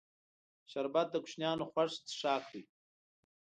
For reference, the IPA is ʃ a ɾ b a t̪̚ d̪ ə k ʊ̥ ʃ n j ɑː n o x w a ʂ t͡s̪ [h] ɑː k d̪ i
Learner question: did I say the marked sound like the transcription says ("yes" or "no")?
no